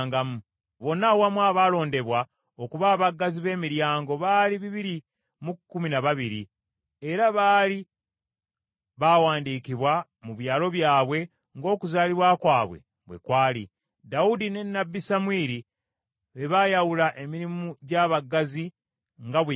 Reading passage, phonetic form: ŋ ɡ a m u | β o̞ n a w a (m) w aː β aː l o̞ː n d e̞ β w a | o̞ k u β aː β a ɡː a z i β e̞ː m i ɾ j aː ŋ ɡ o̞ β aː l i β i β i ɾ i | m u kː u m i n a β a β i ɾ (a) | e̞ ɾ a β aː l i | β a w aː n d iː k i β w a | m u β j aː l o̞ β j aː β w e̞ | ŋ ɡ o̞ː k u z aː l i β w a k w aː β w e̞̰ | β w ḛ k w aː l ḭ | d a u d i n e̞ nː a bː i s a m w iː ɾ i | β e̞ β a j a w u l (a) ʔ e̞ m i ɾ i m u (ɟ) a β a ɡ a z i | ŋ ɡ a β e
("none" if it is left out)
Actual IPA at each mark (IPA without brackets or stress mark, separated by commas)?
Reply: m, i, a, ɟ